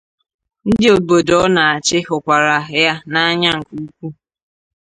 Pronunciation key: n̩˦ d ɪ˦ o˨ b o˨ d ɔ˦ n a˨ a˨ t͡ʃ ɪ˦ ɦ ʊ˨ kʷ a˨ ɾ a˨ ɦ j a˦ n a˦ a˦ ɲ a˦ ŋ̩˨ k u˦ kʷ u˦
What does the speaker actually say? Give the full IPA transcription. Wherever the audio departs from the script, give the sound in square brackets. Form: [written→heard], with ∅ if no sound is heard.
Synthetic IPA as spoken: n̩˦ d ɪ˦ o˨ b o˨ d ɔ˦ n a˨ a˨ t͡ʃ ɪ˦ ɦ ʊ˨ kʷ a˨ ɾ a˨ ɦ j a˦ n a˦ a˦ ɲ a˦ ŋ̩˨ k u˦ kʷ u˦